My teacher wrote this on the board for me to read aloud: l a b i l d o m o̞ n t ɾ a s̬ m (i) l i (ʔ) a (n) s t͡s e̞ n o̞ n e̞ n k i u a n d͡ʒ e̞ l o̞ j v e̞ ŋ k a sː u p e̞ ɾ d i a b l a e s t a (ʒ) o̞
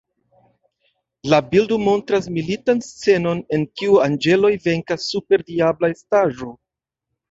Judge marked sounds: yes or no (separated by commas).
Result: yes, no, yes, yes